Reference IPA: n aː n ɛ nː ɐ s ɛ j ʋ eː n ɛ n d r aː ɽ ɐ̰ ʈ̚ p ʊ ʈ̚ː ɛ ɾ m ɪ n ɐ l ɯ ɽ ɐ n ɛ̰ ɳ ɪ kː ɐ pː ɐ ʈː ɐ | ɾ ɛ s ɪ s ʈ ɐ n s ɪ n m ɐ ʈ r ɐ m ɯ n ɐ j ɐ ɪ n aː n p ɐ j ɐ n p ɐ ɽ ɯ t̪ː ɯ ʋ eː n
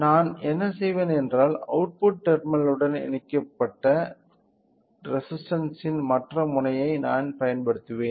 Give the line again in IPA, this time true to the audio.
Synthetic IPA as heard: n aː n ɛ nː ɐ s ɛ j ʋ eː n ɛ n d r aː l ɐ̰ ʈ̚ p ʊ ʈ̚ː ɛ ɾ m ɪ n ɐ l ɯ ɽ ɐ n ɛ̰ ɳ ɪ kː ɐ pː ɐ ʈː ɐ | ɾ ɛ s ɪ s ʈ ɐ n s ɪ n m ɐ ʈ r ɐ m ʊ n ɐ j ɐ ɪ n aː n p ɐ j ɐ n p ɐ ɽ ɯ t̪ː ɯ ʋ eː n